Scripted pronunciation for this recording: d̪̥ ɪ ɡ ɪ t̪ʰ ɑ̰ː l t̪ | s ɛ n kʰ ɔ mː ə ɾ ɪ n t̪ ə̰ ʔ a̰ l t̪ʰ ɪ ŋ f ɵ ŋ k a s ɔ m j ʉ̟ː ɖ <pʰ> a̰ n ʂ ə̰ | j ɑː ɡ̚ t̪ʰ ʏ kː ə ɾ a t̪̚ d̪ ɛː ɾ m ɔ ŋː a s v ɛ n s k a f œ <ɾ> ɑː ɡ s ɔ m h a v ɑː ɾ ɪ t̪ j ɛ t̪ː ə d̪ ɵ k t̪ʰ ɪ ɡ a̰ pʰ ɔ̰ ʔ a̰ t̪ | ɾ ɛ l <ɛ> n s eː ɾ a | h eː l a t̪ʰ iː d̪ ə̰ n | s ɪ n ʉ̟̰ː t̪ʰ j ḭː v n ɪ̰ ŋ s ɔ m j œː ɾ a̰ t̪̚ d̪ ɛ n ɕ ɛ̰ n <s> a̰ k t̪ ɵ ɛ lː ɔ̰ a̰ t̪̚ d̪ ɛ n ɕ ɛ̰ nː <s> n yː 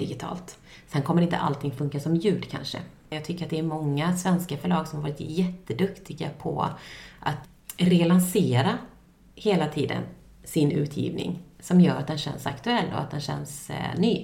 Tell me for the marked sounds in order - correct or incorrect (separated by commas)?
incorrect, incorrect, incorrect, correct, correct